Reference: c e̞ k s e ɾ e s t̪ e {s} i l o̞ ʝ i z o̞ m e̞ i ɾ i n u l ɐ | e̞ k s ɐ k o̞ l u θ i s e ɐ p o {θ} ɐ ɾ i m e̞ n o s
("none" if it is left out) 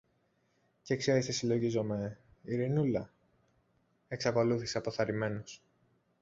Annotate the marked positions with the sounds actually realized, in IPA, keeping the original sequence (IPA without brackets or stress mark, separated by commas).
s, θ